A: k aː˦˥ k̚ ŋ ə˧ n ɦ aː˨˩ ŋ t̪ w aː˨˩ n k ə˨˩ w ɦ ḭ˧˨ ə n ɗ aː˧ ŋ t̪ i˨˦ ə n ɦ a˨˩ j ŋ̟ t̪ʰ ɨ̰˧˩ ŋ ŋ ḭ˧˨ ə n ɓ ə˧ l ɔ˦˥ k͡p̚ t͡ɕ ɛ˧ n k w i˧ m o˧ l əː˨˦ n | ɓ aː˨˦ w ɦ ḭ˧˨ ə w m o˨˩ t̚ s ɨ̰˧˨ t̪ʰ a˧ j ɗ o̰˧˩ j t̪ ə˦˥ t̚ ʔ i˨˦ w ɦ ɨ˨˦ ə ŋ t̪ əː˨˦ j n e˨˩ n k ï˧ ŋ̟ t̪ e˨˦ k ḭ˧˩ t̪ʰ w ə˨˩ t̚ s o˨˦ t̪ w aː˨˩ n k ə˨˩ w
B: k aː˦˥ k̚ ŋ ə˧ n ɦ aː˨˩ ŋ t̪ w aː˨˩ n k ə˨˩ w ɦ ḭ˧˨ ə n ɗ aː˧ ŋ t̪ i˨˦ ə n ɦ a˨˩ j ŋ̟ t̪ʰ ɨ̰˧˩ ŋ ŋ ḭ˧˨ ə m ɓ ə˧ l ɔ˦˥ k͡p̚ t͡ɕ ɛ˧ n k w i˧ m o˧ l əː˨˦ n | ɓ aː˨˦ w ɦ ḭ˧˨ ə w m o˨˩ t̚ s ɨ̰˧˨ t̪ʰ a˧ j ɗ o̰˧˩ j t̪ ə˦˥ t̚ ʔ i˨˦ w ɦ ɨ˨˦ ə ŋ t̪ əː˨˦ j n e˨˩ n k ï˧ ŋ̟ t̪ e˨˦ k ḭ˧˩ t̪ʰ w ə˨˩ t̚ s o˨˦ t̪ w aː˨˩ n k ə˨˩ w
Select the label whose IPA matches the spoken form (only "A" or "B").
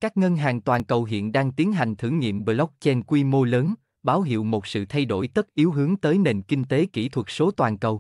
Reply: B